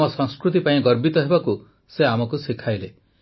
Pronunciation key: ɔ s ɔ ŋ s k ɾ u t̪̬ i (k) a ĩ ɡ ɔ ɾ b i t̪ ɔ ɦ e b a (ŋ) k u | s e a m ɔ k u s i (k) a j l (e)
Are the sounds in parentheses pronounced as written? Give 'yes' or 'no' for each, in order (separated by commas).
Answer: no, no, no, yes